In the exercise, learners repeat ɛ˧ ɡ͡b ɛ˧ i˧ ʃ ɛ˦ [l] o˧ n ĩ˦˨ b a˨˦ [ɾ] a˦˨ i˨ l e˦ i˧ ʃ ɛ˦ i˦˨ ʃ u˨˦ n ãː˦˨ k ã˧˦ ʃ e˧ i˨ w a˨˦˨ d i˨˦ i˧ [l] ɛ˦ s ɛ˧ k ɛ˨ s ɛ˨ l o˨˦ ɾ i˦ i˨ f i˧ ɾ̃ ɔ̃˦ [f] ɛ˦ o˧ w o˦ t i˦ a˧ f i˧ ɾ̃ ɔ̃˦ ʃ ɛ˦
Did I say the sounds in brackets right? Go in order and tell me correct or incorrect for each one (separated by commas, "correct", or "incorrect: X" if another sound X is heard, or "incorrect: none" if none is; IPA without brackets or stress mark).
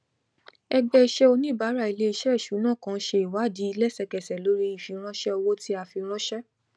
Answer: incorrect: none, correct, correct, incorrect: ʃ